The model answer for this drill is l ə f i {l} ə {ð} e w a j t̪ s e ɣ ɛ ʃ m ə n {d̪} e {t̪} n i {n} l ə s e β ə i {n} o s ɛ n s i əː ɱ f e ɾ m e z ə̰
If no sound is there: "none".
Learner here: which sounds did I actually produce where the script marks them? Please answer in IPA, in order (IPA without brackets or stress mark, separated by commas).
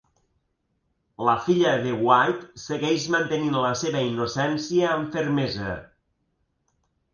ʎ, ð, t̪, none, n, n